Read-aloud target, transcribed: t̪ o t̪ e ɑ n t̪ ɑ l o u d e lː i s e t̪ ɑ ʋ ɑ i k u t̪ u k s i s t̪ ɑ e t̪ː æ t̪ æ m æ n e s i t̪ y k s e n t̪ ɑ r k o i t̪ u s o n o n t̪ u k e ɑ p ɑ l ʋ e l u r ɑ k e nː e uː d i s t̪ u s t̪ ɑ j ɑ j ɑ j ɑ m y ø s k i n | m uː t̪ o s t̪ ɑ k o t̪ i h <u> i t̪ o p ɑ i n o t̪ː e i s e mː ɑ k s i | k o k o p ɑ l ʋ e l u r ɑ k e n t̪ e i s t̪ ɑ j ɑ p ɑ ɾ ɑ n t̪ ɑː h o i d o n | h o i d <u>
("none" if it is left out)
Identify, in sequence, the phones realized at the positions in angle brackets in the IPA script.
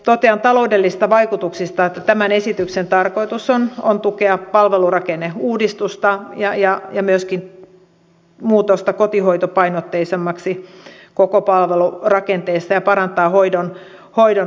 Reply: o, o

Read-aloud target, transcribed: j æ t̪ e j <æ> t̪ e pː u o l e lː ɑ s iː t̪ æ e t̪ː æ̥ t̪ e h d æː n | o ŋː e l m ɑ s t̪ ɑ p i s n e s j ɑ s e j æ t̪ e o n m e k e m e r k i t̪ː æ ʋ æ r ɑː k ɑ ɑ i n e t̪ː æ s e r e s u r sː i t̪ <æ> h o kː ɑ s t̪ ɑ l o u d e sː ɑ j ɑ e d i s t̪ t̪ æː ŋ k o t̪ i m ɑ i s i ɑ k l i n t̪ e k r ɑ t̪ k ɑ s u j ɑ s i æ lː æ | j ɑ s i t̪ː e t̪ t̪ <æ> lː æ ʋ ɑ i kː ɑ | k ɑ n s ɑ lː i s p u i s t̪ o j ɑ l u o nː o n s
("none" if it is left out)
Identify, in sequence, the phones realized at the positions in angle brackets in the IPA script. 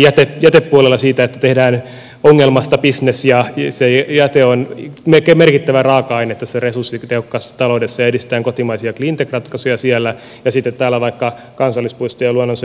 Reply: æ, e, æː

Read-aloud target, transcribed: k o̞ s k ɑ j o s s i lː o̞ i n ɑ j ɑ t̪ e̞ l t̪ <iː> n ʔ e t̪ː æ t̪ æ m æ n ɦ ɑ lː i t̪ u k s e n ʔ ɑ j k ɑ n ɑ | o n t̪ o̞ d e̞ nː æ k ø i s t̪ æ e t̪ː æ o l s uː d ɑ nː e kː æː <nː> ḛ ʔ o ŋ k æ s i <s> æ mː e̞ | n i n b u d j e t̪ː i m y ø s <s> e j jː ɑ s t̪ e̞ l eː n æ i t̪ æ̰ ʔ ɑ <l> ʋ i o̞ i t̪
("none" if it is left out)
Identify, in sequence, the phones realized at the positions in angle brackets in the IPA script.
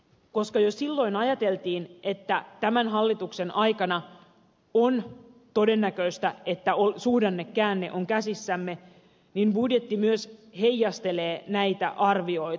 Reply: iː, nː, sː, h, r

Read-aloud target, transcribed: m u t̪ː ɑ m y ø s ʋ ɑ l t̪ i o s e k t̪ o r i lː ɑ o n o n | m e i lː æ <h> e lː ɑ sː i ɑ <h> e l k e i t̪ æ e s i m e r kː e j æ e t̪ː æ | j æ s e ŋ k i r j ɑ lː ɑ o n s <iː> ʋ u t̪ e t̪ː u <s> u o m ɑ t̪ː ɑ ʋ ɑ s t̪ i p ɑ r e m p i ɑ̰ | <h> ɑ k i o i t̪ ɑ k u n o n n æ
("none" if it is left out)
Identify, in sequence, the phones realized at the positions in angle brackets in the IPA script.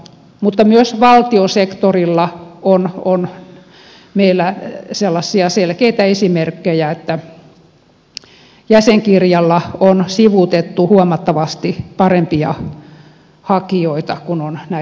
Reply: s, s, i, h, h

